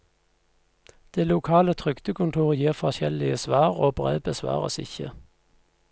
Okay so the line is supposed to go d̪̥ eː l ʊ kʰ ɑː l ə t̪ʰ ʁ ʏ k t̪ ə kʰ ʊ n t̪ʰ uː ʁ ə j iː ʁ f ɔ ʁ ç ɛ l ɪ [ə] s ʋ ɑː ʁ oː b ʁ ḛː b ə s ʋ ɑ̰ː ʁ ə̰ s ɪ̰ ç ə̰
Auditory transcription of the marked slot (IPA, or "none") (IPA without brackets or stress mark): ə